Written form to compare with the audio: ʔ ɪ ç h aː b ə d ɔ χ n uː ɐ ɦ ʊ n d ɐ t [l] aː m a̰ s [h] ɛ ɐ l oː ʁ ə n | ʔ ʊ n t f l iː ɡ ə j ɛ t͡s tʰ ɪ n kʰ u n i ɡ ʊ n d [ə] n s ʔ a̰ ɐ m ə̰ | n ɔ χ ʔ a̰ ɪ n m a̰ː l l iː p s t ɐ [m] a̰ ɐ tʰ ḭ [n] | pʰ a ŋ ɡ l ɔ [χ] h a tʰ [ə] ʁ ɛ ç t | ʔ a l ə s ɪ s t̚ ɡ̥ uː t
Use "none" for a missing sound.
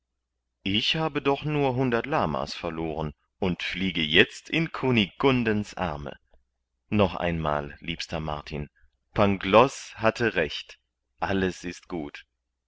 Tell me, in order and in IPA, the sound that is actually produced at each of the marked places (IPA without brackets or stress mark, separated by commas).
l, f, ə, m, n, s, ə